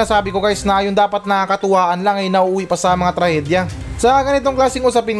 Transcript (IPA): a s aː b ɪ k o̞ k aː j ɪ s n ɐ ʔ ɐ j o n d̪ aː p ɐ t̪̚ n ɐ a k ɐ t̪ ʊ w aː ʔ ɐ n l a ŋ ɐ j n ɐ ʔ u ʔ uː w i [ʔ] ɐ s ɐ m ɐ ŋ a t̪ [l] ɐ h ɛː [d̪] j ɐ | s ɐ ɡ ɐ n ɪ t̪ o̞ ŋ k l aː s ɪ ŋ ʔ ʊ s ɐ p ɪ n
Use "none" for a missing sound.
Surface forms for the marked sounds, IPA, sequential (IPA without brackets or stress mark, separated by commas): p, ɾ, d̪